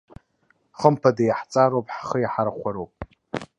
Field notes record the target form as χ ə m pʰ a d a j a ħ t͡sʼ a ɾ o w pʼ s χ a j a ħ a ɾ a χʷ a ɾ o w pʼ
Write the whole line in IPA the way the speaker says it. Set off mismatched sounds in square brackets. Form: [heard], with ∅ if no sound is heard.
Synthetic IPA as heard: χ ə m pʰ a d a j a ħ t͡sʼ a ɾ o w pʼ [ħ] χ [ə] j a ħ a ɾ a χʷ a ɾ o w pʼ